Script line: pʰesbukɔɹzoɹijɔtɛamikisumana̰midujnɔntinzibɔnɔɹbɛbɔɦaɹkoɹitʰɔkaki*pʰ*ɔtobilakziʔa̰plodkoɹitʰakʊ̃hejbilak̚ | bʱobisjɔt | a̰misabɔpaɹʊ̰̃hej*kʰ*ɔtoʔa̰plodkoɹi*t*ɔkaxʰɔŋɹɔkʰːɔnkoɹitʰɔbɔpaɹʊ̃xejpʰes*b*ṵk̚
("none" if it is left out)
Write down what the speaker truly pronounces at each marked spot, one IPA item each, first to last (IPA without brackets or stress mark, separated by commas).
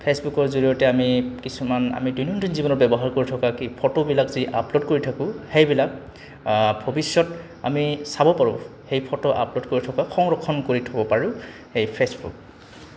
pʰ, pʰ, tʰ, b